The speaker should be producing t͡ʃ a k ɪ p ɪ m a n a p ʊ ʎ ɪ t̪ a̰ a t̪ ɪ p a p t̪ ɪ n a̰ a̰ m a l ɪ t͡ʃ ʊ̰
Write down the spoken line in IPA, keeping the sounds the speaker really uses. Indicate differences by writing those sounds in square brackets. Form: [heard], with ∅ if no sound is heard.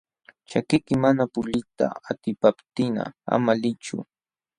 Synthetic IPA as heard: t͡ʃ a k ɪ [k] ɪ m a n a p ʊ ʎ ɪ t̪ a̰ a t̪ ɪ p a p t̪ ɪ n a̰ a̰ m a l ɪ t͡ʃ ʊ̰

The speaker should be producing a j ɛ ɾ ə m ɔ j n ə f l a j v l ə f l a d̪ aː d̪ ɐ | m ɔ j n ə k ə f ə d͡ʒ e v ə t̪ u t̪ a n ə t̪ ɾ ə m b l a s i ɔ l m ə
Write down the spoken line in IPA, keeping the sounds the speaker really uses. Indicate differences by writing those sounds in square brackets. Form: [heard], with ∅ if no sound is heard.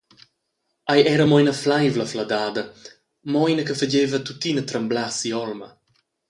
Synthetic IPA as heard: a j ɛ ɾ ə m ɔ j n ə f l a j v l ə f l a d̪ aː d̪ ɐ | m ɔ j n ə k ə f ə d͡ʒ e v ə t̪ u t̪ [i] n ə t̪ ɾ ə m b l a s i ɔ l m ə

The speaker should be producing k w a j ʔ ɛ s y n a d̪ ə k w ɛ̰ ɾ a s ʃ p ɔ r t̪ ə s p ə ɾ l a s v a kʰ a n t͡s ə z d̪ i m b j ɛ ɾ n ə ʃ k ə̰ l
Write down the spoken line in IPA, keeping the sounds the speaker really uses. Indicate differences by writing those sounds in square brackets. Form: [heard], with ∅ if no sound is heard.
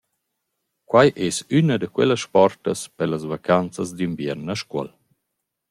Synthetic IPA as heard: k w a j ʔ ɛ s y n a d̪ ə k w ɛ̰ [l] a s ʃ p ɔ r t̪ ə s p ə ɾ l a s v a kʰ a n t͡s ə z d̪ i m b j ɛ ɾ n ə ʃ k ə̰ l

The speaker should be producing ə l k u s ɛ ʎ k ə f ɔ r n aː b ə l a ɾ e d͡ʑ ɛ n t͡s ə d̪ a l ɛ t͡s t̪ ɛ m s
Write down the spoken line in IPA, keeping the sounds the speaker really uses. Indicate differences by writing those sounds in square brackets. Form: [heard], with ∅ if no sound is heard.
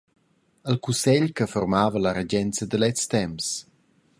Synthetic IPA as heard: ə l k u s ɛ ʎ k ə f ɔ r [m] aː [v] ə l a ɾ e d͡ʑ ɛ n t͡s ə d̪ [ə] l ɛ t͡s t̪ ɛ m s

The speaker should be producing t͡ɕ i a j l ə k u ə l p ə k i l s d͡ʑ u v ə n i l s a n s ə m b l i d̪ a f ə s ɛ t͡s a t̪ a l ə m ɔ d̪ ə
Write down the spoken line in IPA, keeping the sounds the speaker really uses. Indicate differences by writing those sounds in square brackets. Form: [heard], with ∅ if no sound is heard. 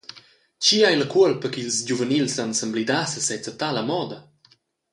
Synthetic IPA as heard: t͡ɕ i a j l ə k u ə l p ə k i l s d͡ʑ u v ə n i l s a n s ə m b l i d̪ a [s] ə s ɛ t͡s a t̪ a l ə m ɔ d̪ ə

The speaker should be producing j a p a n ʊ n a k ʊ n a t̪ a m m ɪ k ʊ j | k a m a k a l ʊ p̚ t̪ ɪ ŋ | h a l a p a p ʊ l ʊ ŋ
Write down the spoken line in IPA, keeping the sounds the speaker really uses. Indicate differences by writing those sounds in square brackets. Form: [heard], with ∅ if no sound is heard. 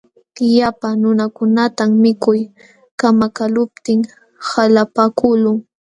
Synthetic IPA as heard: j a p a n ʊ n a k ʊ n a t̪ a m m ɪ k ʊ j | k a m a k a l ʊ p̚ t̪ ɪ ŋ | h a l a p a [k] ʊ l ʊ ŋ

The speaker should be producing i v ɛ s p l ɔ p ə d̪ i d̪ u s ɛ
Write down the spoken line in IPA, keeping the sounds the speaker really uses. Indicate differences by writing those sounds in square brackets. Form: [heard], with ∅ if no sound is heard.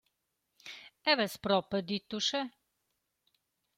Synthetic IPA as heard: [ɛ] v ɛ s p [ɾ] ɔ p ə d̪ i [t̪] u [ʃ] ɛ

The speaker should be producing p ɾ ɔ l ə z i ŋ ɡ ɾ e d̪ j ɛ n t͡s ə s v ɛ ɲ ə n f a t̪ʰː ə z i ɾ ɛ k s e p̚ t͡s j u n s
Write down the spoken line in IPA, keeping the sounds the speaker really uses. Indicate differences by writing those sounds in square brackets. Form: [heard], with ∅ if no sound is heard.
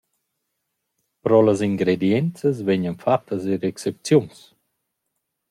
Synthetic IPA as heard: p ɾ ɔ l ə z i ŋ ɡ ɾ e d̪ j ɛ n t͡s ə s v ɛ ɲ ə n f a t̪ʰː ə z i ɾ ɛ k s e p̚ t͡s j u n s

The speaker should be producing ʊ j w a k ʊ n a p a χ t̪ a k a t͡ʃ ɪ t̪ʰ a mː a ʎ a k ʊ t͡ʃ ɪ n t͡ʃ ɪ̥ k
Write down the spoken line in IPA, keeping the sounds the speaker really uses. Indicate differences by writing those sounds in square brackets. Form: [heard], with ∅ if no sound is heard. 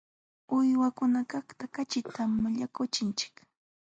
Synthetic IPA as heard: ʊ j w a k ʊ n a [k] a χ t̪ a k a t͡ʃ ɪ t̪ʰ a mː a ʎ a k ʊ t͡ʃ ɪ n t͡ʃ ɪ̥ k

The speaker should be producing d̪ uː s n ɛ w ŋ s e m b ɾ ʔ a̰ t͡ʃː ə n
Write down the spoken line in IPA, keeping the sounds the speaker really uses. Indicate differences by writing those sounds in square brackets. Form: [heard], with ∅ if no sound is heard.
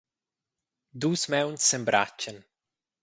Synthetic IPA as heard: d̪ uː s [m] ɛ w [n] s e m b ɾ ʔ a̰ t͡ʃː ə n

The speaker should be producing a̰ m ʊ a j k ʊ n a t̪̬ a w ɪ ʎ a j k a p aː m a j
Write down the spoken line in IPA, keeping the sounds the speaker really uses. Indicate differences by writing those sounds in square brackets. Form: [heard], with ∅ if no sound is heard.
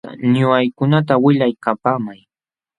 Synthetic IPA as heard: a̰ [ɲ] ʊ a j k ʊ n a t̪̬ a w ɪ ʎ a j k a p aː m a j

